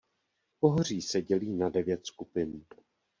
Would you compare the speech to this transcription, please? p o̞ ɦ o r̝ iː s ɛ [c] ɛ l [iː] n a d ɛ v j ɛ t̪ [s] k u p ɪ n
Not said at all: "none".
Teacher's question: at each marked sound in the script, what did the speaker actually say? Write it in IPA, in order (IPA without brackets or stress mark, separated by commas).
ɟ, iː, s